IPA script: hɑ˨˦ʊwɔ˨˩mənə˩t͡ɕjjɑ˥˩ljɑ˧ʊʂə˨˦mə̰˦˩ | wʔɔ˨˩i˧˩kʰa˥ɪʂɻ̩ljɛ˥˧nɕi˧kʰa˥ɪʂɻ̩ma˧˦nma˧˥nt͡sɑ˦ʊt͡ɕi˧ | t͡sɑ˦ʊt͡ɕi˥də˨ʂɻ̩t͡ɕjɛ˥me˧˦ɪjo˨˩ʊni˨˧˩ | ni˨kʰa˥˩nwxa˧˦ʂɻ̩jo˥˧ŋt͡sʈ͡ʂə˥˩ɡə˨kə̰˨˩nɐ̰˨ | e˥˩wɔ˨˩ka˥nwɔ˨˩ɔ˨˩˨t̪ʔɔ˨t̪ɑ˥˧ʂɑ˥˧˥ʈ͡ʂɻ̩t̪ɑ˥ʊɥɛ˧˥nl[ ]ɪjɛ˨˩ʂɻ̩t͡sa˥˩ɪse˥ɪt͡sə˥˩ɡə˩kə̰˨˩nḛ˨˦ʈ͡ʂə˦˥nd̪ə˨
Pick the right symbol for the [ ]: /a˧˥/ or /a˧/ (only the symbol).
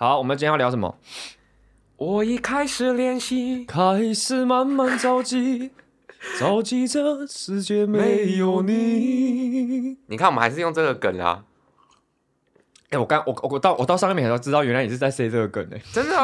a˧